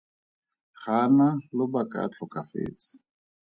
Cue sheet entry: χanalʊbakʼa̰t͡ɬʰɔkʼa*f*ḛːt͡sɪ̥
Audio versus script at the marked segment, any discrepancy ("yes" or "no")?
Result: no